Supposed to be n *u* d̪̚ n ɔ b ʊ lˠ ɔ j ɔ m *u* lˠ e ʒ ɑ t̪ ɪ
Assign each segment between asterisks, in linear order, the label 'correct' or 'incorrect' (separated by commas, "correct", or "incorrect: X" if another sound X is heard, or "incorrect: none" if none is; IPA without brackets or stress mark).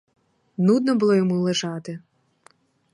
correct, correct